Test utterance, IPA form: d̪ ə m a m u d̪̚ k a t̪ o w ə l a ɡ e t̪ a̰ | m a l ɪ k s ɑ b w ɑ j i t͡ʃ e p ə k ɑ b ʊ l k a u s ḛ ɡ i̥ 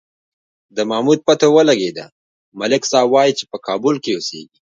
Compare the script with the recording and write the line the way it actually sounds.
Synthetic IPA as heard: d̪ ə m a m u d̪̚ p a t̪ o w ə l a ɡ e d̪ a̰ | m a l ɪ k s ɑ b w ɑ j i t͡ʃ e p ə k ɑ b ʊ l k e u s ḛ ɡ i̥